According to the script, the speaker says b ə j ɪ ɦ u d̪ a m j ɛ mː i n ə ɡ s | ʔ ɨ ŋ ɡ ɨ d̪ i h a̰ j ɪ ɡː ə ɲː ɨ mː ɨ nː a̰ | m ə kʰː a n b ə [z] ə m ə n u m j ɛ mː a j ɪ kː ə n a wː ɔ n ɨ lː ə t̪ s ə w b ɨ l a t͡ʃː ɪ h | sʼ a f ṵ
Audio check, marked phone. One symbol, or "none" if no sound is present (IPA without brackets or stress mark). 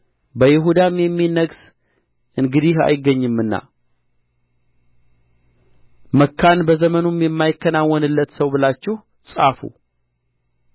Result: z